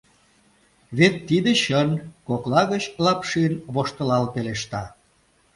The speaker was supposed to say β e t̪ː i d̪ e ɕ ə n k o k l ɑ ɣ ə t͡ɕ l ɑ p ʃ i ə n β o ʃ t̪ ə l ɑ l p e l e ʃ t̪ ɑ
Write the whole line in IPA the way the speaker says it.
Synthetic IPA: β e t̪ː i d̪ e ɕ ə n k o k l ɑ ɣ ə t͡ɕ l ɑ p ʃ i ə n β o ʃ t̪ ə l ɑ l p e l e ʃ t̪ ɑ